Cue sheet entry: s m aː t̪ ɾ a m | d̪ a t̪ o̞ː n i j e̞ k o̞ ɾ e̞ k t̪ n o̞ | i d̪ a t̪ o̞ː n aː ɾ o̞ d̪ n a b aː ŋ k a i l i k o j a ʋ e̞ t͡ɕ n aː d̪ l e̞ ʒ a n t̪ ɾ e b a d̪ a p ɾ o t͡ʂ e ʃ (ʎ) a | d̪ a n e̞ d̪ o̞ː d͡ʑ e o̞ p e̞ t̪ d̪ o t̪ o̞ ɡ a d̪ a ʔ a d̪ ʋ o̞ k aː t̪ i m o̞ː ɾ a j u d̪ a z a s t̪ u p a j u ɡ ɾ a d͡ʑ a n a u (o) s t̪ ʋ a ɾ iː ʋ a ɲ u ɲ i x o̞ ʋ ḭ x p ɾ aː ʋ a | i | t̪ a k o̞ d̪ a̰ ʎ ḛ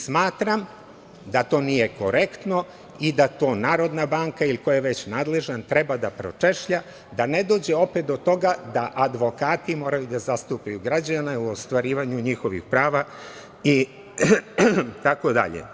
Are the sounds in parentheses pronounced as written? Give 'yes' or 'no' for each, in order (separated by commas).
yes, yes